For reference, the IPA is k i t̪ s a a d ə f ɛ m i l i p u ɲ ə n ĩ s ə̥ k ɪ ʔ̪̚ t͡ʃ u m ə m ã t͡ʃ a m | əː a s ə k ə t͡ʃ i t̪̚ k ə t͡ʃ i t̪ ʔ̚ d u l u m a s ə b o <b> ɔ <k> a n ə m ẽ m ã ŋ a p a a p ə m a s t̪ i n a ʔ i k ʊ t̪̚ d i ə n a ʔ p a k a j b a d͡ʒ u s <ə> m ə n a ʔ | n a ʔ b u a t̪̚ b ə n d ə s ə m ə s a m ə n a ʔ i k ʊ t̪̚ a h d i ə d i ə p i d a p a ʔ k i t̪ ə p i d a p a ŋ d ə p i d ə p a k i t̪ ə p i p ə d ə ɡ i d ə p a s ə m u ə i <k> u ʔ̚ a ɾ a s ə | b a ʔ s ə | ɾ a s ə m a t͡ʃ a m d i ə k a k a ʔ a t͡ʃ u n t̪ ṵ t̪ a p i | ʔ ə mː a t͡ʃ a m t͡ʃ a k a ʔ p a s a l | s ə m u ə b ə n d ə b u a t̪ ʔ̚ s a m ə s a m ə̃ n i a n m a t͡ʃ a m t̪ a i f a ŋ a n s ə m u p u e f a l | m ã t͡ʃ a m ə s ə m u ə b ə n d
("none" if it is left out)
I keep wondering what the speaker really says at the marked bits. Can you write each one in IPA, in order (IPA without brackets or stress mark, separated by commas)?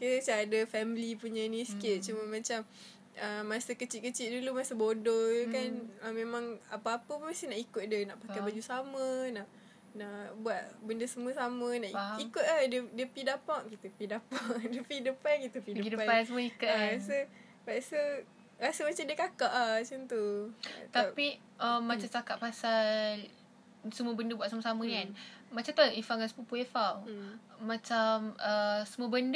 d, k, a, k